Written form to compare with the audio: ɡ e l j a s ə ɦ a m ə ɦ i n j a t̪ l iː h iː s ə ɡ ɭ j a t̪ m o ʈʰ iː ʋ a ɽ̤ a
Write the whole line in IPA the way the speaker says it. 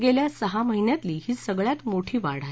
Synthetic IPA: ɡ e l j a s ə ɦ a m ə ɦ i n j a t̪ l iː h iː s ə ɡ ɭ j a t̪ m o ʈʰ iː ʋ a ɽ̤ a